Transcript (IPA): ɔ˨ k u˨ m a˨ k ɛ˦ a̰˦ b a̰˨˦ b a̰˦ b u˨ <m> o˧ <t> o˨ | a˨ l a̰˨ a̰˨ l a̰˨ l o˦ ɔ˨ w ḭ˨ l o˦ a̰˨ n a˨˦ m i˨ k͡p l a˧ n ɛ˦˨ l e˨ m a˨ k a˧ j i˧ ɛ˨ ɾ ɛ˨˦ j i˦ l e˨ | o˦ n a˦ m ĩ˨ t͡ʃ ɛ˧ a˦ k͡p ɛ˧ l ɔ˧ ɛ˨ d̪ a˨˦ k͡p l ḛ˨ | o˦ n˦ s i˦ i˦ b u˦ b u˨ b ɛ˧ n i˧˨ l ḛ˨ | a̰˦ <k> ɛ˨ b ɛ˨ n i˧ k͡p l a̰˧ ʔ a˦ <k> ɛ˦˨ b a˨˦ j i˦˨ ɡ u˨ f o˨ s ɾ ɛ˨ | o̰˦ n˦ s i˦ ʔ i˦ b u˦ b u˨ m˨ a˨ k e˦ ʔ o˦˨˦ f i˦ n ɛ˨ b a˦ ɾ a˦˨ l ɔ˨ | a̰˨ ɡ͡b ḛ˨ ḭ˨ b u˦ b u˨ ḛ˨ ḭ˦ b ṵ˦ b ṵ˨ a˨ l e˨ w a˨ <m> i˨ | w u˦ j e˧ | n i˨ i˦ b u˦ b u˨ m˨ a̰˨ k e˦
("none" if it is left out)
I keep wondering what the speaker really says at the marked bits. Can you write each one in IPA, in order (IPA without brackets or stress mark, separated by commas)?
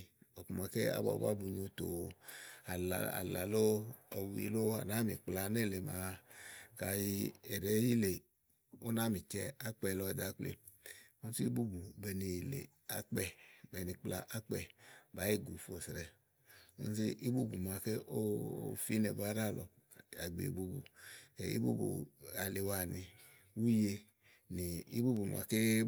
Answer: ɲ, t, k͡p, k͡p, n